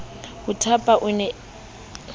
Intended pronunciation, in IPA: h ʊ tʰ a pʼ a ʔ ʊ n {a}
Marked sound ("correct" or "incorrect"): incorrect